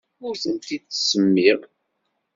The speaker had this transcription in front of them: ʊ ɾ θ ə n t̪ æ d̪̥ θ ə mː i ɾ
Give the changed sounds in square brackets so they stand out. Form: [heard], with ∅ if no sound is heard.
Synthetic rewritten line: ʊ ɾ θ ə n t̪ [i] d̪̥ [s] ə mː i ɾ